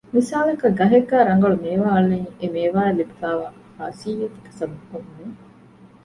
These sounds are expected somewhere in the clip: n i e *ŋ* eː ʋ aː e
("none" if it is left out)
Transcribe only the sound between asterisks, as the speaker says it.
m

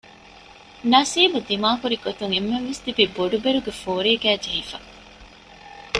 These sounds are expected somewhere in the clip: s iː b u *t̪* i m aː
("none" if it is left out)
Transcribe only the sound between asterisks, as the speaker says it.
d̪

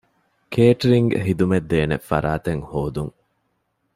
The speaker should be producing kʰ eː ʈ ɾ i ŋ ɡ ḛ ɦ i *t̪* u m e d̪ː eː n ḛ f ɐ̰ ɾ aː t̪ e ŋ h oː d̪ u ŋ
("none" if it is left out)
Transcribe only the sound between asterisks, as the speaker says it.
d̪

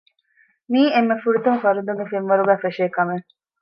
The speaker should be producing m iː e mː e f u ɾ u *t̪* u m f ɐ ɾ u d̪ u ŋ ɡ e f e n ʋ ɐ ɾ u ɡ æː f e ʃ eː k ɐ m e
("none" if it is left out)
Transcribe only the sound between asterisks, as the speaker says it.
t̪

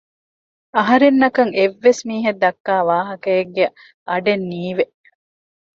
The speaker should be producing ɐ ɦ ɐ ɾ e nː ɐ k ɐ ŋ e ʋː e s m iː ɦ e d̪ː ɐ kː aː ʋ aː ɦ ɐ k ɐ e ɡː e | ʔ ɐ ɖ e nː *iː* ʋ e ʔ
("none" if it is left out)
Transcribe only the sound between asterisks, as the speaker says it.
iː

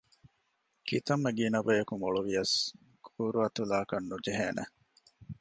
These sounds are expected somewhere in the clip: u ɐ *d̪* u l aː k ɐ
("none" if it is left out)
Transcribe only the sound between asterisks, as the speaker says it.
t̪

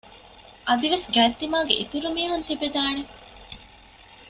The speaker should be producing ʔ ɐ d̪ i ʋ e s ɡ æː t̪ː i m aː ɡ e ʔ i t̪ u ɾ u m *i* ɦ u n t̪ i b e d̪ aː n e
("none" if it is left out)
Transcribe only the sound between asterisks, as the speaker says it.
iː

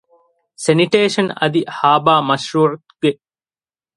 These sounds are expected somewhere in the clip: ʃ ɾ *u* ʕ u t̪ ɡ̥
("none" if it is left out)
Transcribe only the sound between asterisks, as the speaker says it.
uː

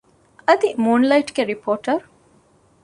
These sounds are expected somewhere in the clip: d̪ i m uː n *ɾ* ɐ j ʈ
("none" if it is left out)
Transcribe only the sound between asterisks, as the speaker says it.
l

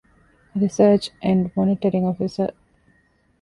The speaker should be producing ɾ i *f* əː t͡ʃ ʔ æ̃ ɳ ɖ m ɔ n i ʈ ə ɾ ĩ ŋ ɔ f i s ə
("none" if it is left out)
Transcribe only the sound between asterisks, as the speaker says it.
s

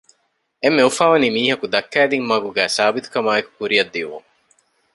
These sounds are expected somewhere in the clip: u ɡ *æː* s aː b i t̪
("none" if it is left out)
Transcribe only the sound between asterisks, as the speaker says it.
æː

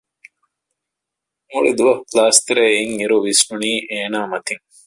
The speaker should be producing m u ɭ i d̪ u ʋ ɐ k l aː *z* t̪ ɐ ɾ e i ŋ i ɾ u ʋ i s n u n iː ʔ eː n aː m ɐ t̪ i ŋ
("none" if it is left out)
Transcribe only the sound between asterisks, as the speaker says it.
s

